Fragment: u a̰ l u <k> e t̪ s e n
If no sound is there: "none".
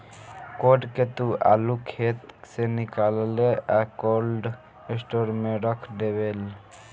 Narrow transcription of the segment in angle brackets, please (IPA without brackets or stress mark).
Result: kʰ